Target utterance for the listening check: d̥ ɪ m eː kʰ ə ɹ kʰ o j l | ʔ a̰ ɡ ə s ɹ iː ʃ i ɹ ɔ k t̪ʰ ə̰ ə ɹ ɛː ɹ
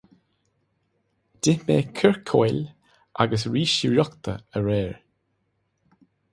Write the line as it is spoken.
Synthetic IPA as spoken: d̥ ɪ m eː kʰ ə ɹ kʰ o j l | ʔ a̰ ɡ ə s ɹ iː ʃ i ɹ ɔ k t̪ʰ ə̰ ə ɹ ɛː ɹ

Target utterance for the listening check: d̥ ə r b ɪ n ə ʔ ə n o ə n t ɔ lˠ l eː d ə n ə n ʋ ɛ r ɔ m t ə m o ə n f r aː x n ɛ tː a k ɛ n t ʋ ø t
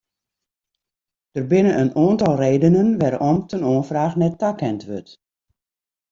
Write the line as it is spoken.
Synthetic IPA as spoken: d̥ ə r b ɪ n ə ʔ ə n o ə n t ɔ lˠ r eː d ə n ə n ʋ ɛ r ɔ m t ə n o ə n f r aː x n ɛ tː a k ɛ n t ʋ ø t

